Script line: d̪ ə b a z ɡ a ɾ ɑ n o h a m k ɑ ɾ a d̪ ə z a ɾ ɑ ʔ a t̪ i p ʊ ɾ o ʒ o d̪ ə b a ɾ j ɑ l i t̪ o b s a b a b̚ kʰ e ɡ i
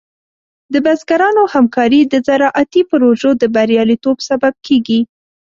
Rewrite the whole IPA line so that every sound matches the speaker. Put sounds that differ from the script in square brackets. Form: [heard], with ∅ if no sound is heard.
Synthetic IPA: d̪ ə b a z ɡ a ɾ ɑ n o h a m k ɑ ɾ [i] d̪ ə z a ɾ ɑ ʔ a t̪ i p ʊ ɾ o ʒ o d̪ ə b a ɾ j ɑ l i t̪ o b s a b a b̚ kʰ e ɡ i